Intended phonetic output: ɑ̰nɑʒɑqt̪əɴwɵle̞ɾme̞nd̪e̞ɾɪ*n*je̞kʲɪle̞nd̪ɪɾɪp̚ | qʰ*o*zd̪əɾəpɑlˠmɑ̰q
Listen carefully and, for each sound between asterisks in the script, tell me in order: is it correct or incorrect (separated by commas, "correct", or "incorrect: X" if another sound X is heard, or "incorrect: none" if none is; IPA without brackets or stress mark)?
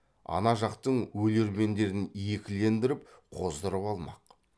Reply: correct, correct